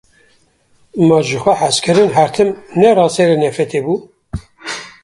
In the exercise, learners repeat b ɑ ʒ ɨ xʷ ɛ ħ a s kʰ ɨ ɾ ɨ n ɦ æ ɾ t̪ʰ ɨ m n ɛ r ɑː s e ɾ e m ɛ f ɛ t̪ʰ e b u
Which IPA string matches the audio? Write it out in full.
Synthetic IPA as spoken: m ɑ ʒ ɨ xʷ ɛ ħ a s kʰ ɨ ɾ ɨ n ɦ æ ɾ t̪ʰ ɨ m n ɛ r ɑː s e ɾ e n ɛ f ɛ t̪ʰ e b u